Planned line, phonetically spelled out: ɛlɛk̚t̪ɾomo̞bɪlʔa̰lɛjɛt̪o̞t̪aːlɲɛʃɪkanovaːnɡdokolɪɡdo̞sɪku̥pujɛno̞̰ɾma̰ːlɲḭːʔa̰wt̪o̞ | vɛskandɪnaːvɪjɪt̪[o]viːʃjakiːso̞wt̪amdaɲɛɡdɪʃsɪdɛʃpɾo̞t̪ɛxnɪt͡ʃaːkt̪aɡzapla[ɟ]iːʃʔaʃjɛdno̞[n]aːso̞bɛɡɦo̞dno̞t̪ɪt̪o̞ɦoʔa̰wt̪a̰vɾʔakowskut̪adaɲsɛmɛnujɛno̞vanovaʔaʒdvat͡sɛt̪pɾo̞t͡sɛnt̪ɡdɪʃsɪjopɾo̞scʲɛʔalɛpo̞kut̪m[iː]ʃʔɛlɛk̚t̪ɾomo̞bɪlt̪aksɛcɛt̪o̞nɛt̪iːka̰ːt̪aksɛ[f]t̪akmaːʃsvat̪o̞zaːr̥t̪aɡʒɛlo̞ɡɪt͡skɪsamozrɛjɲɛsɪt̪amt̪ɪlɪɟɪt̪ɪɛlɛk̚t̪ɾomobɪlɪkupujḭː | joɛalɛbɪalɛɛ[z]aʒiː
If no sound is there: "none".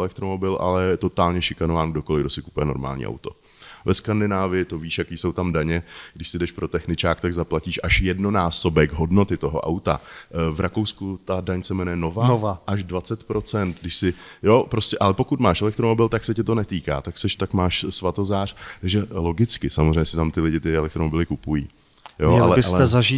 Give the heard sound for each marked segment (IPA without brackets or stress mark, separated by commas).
o, c, n, aː, ʃ, z